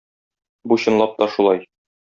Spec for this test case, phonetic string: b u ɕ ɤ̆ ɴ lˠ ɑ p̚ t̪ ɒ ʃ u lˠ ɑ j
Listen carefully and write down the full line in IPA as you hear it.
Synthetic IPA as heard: b u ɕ ɤ̆ n lˠ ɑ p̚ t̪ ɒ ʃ u lˠ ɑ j